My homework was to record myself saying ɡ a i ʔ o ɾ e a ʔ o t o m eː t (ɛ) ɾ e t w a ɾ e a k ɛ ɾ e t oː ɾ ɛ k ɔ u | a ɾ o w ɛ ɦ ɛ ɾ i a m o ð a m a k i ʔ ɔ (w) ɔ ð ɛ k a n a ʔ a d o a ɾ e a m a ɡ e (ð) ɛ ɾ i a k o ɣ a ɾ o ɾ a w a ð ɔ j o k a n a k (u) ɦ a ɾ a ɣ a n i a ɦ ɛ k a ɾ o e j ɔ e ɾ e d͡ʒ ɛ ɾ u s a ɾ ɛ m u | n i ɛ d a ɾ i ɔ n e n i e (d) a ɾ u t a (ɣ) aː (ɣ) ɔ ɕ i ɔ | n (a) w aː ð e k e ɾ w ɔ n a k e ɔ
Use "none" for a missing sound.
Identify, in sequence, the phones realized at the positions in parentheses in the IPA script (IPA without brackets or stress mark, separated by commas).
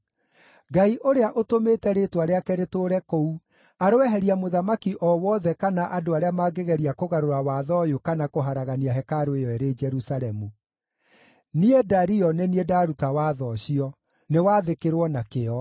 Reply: ɛ, w, ɣ, o, d, w, ð, e